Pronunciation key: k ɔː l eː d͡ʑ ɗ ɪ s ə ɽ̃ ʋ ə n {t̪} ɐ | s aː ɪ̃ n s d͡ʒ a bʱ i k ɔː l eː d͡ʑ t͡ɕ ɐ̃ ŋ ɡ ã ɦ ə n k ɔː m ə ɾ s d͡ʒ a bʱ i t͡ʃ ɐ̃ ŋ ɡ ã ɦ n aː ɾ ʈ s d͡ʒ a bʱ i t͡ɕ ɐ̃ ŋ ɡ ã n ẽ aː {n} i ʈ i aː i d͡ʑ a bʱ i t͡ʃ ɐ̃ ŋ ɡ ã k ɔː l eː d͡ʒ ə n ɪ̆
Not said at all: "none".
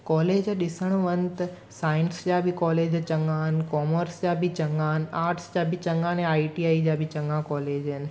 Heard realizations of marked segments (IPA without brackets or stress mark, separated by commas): t̪, none